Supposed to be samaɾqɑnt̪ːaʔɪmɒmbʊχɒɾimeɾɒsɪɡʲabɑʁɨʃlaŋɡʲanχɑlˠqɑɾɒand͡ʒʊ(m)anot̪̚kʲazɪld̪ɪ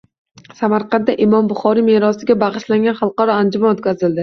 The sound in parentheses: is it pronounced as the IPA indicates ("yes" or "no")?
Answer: yes